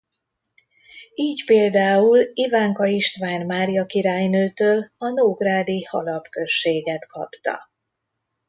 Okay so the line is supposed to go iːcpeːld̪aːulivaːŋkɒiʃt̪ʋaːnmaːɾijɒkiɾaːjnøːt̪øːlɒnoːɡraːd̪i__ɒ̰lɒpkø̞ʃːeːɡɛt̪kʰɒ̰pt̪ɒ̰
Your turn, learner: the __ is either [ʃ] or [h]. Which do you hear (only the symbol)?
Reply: h